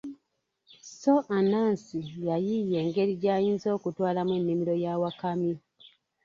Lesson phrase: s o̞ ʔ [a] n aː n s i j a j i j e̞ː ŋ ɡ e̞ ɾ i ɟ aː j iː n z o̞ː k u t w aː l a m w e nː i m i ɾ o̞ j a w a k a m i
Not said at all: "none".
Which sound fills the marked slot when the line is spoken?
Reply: a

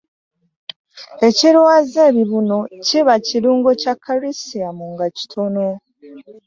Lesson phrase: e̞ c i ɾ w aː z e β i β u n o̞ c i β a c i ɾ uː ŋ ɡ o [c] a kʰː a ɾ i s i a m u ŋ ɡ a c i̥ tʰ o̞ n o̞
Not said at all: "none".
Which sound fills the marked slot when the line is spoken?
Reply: c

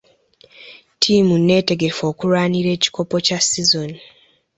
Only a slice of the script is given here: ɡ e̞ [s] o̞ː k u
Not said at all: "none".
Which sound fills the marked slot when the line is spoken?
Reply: f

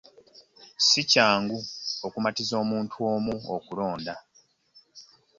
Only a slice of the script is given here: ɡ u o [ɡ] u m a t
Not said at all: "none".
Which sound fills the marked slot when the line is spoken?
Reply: k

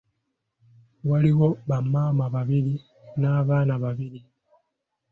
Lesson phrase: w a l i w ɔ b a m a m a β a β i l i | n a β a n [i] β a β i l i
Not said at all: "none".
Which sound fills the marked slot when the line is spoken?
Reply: a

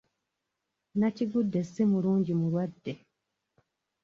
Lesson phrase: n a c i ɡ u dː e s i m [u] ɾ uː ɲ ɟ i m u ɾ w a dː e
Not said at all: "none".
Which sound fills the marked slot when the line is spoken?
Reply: u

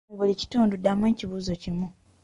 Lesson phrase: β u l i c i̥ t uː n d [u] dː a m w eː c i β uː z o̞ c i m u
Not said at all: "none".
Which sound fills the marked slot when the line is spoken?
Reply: u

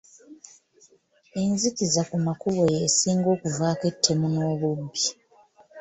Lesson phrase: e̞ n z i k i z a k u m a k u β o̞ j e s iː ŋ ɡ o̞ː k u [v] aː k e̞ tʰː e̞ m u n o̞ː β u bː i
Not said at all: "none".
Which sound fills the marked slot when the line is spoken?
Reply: v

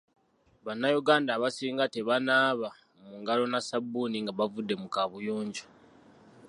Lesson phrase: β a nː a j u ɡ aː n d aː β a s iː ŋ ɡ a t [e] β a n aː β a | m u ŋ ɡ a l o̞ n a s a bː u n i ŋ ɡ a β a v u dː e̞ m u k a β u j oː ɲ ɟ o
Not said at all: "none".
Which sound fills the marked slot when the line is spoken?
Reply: e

